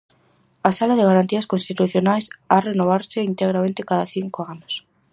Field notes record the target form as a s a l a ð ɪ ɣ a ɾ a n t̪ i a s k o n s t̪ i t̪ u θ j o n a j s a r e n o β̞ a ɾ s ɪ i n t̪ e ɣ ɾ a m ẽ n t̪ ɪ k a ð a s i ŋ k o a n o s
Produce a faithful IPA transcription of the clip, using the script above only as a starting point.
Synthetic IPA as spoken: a s a l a ð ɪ ɣ a ɾ a n t̪ i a s k o n s t̪ i t̪ u θ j o n a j s a r e n o β̞ a ɾ s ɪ i n t̪ e ɣ ɾ a m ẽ n t̪ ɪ k a ð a θ i ŋ k o a n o s